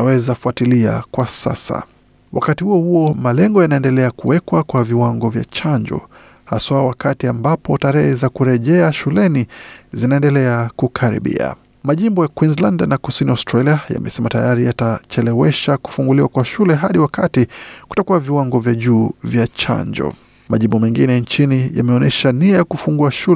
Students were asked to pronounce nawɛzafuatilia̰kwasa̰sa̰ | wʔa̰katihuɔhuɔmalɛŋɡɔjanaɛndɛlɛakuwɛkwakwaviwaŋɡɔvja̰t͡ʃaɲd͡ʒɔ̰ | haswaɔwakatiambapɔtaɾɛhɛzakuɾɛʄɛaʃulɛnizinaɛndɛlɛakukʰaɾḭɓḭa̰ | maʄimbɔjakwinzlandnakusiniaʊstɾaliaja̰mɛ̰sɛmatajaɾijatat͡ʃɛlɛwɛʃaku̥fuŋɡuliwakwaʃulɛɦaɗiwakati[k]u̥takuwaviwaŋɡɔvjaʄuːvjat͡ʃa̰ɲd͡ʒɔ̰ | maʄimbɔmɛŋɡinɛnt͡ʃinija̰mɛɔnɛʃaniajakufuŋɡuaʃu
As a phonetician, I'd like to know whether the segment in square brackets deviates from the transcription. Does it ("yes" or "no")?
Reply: no